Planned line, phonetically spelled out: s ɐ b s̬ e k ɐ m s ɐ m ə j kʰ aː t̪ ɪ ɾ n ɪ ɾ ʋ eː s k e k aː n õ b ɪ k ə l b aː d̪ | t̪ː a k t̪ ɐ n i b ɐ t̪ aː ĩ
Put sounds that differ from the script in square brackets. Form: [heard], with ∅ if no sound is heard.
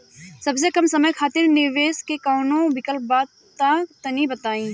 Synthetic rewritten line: s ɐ b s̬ e k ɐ m s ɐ m ə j kʰ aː t̪ ɪ ɾ n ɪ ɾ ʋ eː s k e k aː n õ b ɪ k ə l b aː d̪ | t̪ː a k t̪ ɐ n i b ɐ t̪ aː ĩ